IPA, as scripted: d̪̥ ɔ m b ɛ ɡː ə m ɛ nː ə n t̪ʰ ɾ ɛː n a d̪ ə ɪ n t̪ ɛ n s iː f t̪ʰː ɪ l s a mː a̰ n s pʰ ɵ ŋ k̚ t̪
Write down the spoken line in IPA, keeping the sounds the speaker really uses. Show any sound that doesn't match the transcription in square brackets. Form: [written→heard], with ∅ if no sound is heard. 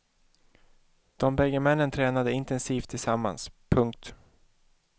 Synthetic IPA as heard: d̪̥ ɔ m b ɛ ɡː ə m ɛ nː ə n t̪ʰ ɾ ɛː n a d̪ ə ɪ n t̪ ɛ n s iː f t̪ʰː ɪ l s a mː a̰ n s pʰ ɵ ŋ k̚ t̪